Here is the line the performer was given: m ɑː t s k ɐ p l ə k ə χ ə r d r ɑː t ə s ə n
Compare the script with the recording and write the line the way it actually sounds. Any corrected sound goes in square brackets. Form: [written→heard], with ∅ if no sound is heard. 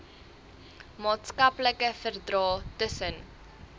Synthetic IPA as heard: m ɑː t s k ɐ p l ə k ə [χ→f] ə r d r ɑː t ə s ə n